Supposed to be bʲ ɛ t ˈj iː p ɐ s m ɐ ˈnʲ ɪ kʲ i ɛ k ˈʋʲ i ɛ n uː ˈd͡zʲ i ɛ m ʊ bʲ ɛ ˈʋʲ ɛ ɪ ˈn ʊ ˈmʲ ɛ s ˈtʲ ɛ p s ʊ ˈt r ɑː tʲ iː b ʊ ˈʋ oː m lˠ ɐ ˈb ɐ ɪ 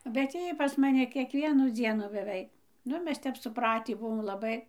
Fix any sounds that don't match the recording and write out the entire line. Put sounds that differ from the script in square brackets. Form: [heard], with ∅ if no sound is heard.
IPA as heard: bʲ ɛ t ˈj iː p ɐ s m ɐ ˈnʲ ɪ kʲ i ɛ k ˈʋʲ i ɛ n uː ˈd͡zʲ i ɛ [n] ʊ bʲ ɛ ˈʋʲ ɛ ɪ ˈn ʊ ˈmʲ ɛ s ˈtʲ ɛ p s ʊ [ˈp] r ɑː tʲ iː b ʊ ˈʋ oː m lˠ ɐ ˈb ɐ ɪ

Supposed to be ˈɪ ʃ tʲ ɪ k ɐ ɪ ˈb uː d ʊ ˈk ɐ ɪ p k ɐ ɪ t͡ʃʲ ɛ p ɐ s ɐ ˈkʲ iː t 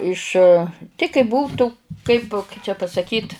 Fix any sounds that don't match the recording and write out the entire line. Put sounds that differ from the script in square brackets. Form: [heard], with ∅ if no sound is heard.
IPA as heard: ˈɪ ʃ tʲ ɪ k ɐ ɪ ˈb uː [t] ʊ ˈk ɐ ɪ p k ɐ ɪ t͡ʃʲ ɛ p ɐ s ɐ ˈkʲ iː t

